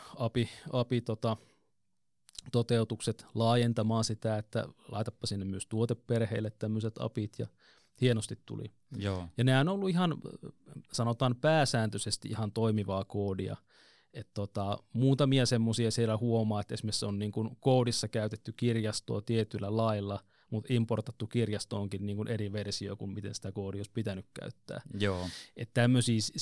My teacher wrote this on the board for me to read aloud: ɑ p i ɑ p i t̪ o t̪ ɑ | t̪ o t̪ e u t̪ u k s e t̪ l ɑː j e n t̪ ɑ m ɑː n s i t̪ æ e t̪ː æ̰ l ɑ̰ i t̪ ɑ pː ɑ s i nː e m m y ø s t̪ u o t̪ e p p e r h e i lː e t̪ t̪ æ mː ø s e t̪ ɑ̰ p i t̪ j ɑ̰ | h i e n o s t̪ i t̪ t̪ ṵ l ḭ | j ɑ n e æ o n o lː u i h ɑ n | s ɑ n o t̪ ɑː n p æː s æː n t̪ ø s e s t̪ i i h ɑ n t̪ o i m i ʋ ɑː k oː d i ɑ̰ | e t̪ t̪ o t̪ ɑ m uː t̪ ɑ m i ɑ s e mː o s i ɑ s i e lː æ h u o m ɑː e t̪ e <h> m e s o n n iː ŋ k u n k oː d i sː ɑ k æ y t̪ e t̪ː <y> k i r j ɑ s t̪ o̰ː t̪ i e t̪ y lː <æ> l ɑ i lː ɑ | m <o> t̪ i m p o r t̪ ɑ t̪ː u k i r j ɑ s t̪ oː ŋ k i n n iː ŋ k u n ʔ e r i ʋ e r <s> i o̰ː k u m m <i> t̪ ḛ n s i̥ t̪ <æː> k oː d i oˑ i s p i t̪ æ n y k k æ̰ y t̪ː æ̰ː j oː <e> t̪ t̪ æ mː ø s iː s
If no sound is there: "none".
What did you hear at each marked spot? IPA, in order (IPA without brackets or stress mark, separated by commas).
s, y, æ, u, s, i, æ, e